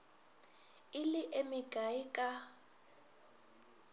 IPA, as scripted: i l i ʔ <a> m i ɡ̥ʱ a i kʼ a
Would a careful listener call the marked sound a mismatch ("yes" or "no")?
yes